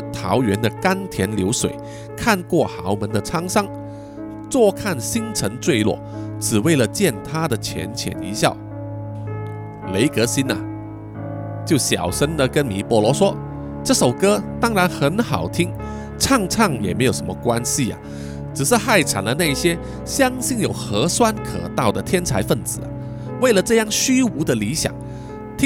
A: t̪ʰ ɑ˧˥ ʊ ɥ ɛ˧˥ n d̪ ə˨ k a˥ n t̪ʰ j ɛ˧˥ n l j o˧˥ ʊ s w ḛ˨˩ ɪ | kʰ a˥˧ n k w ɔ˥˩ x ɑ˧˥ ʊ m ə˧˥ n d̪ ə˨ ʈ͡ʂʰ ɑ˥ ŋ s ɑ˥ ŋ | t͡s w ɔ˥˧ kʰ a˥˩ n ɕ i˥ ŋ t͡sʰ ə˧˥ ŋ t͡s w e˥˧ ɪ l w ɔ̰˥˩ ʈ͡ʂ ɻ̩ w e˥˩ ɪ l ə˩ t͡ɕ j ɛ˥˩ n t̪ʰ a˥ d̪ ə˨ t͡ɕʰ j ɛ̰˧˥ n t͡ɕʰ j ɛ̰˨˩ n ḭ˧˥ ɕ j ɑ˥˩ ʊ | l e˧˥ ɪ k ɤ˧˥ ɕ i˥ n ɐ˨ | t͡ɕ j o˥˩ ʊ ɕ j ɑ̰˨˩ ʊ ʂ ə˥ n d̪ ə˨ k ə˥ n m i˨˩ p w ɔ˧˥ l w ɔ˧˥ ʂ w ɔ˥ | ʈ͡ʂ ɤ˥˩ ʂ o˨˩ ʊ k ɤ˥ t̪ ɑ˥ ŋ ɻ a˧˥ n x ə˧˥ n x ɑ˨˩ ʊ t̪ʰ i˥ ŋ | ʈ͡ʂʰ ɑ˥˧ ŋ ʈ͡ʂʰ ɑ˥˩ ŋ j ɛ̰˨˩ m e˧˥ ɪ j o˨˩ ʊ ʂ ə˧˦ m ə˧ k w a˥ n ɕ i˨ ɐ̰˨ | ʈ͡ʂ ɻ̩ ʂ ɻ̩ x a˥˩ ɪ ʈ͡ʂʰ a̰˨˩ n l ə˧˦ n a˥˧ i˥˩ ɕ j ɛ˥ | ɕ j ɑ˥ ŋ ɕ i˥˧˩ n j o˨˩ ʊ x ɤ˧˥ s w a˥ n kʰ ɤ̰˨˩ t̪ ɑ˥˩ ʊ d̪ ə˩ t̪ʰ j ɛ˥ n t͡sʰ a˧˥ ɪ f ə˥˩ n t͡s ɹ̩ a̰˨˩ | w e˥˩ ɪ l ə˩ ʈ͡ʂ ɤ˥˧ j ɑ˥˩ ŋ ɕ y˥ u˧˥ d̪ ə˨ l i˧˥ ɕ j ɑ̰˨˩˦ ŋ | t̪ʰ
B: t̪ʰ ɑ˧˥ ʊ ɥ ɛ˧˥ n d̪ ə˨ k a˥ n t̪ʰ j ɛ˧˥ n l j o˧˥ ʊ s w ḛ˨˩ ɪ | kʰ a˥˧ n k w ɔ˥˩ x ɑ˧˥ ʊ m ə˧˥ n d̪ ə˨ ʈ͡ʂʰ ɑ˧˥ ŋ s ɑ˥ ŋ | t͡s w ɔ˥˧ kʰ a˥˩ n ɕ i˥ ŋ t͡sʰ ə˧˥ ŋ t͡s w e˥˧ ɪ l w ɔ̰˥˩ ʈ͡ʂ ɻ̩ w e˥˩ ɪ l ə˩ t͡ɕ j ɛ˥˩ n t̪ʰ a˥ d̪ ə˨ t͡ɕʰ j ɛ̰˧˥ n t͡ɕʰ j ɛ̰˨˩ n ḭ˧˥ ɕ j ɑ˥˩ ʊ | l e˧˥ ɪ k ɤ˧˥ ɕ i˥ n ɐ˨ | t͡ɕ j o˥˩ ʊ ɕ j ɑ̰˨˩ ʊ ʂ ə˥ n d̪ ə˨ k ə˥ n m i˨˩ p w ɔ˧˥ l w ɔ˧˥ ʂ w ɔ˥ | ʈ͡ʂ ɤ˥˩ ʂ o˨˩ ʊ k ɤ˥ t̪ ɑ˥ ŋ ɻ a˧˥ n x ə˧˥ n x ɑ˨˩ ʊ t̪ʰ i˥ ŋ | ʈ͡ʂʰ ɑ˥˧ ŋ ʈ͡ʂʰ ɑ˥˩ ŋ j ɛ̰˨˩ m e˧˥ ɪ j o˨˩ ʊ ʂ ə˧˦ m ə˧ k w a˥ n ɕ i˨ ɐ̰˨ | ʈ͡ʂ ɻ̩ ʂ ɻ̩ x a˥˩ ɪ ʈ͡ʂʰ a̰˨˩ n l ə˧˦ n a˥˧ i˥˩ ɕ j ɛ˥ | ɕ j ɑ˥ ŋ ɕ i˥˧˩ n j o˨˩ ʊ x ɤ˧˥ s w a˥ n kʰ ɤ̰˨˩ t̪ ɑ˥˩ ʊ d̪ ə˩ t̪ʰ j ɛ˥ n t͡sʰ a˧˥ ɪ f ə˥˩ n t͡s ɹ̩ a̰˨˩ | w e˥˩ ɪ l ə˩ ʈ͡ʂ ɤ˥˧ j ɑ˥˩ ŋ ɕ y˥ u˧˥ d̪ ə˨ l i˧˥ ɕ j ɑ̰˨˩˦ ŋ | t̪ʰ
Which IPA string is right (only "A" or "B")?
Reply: A